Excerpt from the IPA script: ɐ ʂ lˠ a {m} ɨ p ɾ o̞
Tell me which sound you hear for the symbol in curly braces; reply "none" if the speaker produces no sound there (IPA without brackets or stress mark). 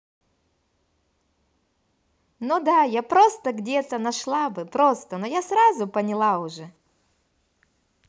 b